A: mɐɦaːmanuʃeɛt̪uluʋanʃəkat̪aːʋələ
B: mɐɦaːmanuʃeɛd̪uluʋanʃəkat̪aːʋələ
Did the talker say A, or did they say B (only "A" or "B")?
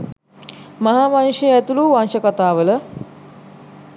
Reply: A